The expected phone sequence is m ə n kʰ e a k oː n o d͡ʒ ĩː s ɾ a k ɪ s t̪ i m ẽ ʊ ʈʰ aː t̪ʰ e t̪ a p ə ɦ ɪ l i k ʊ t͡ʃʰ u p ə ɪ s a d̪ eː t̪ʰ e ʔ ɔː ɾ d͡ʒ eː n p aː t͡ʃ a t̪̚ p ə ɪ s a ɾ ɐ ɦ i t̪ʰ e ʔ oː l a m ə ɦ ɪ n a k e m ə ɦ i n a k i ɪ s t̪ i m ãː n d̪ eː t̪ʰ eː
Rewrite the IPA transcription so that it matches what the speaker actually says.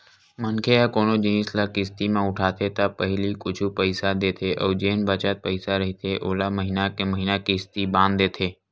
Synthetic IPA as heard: m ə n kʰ e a k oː n o d͡ʒ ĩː s l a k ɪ s t̪ i m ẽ ʊ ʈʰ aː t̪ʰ e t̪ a p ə ɦ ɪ l i k ʊ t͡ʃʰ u p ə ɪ s a d̪ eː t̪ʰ e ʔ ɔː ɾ d͡ʒ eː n b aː t͡ʃ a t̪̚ p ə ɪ s a ɾ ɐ ɦ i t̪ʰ e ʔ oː l a m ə ɦ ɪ n a k e m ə ɦ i n a k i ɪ s t̪ i b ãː n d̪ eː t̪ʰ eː